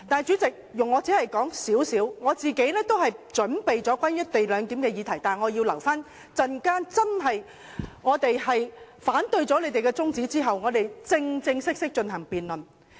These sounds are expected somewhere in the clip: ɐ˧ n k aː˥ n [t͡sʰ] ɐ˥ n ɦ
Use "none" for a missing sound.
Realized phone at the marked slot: t͡s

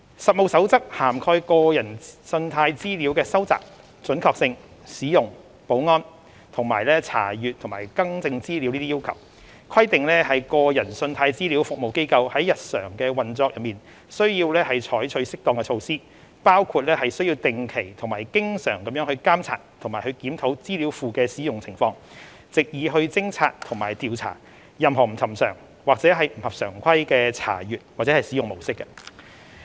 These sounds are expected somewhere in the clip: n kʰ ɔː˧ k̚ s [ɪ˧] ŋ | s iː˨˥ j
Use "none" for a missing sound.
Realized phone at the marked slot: ɪ˧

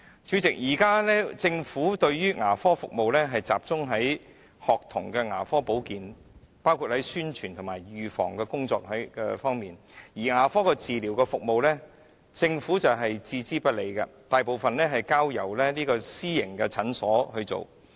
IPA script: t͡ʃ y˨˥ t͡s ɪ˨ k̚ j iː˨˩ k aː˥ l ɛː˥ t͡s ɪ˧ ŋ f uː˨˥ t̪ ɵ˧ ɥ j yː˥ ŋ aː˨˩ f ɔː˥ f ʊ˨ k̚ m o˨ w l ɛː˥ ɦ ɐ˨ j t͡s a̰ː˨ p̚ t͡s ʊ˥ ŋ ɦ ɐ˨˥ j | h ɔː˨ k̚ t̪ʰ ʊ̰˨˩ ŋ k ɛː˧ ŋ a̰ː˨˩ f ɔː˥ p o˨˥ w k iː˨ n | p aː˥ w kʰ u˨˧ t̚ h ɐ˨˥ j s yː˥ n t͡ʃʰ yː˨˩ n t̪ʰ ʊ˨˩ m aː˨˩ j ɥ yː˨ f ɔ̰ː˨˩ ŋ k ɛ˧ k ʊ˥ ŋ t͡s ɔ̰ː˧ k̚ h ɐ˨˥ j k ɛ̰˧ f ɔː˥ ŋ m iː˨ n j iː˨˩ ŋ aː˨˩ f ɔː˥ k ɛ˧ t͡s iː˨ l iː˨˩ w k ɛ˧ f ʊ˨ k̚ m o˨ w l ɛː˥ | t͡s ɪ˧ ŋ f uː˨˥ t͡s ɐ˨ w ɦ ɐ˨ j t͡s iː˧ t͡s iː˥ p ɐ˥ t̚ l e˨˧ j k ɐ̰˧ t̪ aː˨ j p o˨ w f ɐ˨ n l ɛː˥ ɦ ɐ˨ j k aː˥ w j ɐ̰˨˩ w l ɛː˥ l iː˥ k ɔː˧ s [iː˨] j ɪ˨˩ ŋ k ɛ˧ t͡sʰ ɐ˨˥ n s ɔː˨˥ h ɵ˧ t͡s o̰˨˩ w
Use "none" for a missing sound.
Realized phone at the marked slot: iː˥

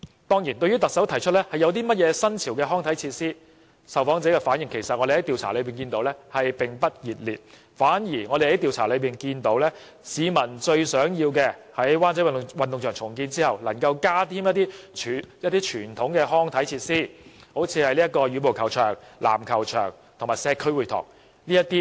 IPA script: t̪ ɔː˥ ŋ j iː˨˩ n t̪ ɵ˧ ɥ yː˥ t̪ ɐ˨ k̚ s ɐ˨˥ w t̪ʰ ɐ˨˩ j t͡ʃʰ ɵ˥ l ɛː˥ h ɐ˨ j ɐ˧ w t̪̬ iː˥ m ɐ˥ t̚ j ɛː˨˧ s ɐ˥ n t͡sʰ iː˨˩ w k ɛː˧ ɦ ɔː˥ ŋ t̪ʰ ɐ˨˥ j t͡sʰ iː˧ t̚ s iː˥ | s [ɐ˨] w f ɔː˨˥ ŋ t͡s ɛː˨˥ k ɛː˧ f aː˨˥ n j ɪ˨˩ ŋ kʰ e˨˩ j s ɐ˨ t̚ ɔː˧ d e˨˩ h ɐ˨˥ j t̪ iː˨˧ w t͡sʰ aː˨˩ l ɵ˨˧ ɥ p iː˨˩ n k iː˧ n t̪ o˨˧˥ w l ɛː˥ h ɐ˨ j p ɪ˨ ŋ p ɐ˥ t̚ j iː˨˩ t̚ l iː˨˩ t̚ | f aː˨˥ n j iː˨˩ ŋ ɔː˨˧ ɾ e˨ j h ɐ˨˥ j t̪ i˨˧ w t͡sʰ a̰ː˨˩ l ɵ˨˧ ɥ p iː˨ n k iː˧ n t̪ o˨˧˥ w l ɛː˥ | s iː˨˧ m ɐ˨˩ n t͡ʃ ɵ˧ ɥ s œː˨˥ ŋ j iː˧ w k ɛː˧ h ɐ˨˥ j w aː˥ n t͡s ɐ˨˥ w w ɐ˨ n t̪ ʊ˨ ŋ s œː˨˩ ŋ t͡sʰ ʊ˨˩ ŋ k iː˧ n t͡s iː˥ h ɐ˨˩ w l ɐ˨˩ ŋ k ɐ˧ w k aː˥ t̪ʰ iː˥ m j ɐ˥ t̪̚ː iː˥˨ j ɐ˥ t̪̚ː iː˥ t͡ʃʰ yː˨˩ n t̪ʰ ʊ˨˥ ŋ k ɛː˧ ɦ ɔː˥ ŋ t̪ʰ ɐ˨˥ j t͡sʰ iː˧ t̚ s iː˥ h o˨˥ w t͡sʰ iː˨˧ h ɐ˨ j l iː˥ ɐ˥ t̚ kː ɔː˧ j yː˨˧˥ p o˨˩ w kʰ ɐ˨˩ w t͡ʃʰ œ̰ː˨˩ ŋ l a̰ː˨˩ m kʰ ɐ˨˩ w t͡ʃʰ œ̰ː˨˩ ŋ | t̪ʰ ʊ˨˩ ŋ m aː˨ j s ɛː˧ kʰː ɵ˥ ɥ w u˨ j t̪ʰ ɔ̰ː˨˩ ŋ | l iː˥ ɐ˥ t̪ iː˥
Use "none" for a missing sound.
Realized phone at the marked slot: ɐ˨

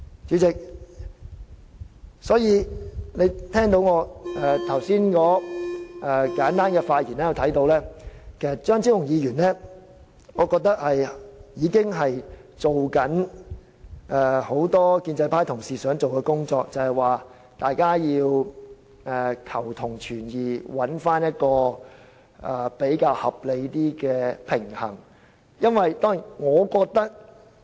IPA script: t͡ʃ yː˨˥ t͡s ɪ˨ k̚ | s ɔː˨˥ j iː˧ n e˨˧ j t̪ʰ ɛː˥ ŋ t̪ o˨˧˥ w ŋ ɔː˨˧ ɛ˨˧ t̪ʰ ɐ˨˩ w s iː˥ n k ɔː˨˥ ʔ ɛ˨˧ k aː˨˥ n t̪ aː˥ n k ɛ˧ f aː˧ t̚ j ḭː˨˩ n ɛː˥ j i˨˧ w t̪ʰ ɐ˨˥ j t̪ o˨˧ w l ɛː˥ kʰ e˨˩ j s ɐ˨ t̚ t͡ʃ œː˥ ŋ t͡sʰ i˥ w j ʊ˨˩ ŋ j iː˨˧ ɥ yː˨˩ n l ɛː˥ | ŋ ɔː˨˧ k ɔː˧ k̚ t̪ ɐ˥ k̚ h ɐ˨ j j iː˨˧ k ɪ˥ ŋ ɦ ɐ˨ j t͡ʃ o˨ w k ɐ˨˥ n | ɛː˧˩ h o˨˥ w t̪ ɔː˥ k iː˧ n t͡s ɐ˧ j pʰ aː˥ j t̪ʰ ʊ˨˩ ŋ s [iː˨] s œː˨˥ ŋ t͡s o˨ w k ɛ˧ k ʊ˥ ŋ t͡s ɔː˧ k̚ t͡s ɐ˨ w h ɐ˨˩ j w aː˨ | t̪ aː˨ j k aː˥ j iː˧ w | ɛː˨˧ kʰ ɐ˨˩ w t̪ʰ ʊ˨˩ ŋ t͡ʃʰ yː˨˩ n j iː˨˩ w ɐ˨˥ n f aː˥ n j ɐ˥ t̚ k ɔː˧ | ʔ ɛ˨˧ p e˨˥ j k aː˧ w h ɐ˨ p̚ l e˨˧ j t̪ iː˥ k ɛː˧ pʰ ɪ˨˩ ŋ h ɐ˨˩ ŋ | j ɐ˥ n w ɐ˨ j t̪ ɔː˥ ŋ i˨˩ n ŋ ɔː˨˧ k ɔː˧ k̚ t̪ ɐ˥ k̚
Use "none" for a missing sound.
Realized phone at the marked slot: iː˨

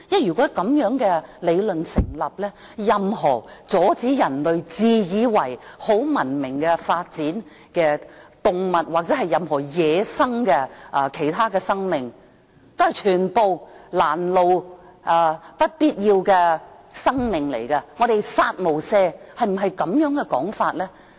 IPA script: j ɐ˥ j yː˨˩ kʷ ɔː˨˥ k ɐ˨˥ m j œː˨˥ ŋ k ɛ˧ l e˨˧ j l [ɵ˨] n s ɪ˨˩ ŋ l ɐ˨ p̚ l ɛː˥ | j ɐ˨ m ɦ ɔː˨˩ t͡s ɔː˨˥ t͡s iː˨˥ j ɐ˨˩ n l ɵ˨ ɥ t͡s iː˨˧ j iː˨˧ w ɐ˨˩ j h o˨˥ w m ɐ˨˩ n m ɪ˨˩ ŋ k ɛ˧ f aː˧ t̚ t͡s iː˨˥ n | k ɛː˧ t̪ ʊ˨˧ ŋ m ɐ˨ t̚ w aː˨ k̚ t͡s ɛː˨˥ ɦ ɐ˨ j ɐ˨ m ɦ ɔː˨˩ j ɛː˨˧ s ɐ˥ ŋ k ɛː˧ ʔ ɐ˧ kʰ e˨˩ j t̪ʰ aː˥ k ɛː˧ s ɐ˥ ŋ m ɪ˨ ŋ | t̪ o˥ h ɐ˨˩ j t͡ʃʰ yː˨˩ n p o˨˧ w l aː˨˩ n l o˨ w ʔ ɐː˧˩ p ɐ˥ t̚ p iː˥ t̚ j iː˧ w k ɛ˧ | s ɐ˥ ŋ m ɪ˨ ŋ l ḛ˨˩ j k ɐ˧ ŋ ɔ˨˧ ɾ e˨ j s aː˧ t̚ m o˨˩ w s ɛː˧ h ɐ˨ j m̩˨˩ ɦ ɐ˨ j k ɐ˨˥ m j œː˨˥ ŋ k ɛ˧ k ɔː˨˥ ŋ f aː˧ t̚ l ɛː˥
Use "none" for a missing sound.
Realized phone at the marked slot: ɵ˨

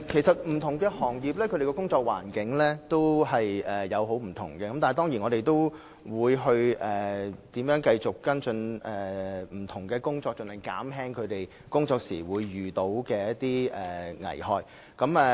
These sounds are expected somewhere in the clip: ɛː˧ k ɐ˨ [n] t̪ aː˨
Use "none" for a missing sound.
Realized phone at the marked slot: m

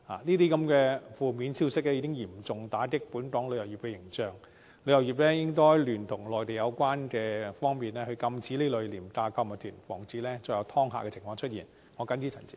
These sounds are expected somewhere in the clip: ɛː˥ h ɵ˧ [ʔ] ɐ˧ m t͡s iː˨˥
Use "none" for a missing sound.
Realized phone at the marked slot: k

